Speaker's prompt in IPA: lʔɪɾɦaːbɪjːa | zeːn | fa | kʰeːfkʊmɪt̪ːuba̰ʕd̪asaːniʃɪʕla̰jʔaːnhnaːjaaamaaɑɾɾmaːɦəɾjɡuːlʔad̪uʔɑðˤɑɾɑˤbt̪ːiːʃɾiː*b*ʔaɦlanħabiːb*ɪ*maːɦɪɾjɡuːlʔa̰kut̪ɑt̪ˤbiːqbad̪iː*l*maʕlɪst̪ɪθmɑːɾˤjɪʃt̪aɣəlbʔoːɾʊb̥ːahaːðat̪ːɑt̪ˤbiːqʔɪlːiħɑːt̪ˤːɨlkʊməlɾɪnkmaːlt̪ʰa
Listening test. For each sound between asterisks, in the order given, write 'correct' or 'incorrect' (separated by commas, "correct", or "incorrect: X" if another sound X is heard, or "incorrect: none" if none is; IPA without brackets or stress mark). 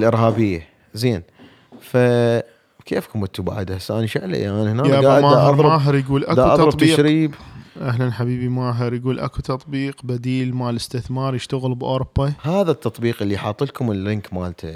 correct, incorrect: i, correct